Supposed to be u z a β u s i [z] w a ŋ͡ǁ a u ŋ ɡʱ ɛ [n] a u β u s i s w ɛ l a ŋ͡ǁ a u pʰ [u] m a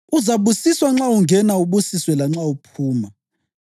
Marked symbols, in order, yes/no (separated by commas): no, yes, no